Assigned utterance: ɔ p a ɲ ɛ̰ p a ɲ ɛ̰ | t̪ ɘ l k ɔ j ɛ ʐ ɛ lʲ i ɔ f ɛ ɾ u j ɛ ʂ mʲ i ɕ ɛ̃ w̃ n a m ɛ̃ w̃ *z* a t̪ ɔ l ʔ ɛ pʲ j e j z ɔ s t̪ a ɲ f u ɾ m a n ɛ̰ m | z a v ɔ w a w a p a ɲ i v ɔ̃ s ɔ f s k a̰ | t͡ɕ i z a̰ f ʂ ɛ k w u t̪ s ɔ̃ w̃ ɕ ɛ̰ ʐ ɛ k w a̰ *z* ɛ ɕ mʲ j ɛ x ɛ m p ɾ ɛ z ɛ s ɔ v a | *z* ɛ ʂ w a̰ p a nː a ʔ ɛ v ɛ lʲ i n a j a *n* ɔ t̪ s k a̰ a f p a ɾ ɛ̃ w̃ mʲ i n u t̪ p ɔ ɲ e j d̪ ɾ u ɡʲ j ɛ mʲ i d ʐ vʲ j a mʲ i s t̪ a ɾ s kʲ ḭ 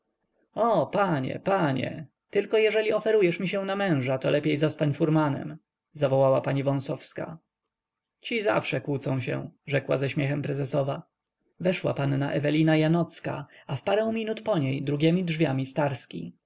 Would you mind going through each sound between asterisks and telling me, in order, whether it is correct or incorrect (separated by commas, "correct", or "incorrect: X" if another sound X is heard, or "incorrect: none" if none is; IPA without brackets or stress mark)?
incorrect: ʐ, correct, incorrect: v, correct